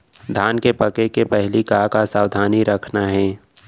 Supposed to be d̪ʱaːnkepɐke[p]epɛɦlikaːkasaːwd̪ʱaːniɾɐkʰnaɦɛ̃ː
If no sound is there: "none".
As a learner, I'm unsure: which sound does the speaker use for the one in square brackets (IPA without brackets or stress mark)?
k